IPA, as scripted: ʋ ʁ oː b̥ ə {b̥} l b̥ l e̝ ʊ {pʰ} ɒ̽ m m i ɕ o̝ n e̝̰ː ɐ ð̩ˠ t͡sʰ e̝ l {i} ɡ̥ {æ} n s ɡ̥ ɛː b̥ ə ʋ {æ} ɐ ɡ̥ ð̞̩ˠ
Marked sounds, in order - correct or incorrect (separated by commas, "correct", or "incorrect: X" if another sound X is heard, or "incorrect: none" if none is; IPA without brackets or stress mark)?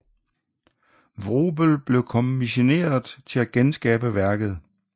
incorrect: none, incorrect: kʰ, incorrect: æ, incorrect: e, correct